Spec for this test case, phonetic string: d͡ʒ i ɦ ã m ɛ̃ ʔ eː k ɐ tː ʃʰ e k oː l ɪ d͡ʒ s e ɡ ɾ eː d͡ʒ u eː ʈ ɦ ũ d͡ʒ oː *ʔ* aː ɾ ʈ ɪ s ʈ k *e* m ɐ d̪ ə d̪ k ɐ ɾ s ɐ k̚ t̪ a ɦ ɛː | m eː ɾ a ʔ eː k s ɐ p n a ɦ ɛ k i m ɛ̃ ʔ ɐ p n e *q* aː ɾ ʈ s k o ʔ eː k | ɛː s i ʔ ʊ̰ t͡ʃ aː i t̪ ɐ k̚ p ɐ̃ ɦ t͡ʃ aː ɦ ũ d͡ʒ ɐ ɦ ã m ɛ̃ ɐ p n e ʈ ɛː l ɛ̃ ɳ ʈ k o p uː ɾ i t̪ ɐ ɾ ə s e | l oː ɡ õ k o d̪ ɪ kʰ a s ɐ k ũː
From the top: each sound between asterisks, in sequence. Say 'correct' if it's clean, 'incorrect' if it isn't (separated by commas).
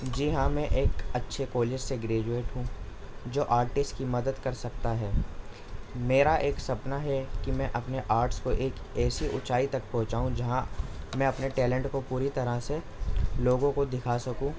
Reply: correct, incorrect, incorrect